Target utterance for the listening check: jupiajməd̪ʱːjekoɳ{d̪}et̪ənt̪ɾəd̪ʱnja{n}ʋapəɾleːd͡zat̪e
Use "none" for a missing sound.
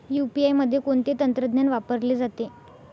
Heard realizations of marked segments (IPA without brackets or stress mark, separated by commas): t̪, n